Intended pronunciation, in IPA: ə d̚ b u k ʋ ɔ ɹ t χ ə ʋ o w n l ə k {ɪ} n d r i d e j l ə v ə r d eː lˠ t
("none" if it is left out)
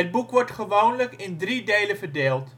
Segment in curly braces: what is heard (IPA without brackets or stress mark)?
ɪ